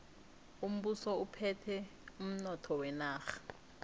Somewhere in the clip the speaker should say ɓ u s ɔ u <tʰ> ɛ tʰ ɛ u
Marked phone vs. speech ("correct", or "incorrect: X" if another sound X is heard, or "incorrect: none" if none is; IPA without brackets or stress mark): incorrect: pʰ